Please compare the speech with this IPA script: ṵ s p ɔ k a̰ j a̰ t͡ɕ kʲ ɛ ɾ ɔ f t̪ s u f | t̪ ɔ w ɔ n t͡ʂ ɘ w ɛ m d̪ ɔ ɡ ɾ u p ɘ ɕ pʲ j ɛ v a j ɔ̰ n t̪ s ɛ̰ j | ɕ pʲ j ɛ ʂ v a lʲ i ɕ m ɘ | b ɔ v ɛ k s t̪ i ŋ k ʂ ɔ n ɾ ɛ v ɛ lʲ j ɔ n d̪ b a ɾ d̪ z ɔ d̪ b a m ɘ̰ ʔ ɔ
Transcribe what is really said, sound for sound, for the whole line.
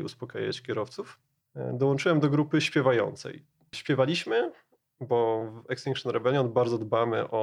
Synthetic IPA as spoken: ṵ s p ɔ k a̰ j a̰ t͡ɕ kʲ ɛ ɾ ɔ f t̪ s u f | d̪ ɔ w ɔ n t͡ʂ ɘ w ɛ m d̪ ɔ ɡ ɾ u p ɘ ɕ pʲ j ɛ v a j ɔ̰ n t̪ s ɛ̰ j | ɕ pʲ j ɛ v a lʲ i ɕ m ɘ | b ɔ v ɛ k s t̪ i ŋ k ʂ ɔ n ɾ ɛ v ɛ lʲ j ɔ n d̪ b a ɾ d̪ z ɔ d̪ b a m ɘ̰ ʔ ɔ